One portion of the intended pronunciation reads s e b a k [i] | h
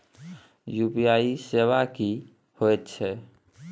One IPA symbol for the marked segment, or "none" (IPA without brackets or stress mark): i